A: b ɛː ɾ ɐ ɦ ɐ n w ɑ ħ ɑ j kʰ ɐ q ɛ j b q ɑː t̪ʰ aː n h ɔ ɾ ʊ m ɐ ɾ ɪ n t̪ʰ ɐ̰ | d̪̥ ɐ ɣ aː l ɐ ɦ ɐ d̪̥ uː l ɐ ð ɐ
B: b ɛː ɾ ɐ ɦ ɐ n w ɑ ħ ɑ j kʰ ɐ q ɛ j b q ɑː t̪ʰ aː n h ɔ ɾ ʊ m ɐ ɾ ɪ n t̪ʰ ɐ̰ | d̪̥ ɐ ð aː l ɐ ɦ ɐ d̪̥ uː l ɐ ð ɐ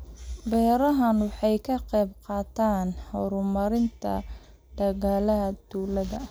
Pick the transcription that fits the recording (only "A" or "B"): A